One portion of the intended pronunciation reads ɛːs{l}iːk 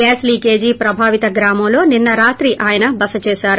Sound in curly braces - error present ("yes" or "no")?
no